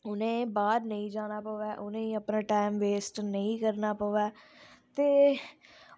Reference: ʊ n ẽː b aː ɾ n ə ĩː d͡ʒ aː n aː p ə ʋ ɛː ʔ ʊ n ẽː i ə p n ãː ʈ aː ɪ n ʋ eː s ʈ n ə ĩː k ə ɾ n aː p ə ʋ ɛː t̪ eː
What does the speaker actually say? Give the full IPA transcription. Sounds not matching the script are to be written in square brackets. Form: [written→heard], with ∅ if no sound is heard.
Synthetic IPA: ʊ n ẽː b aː ɾ n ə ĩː d͡ʒ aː n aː p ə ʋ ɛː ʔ ʊ n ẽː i ə p n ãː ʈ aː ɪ [n→m] ʋ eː s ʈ n ə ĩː k ə ɾ n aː p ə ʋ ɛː t̪ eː